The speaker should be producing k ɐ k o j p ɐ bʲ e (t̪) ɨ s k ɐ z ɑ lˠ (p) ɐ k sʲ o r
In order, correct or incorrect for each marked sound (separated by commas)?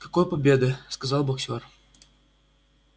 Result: incorrect, incorrect